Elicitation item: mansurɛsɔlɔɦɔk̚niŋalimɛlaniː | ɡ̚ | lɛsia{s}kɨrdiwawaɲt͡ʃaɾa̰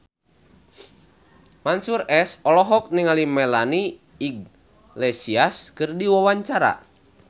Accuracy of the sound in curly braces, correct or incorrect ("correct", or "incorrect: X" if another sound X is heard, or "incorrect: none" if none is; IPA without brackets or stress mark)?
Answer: correct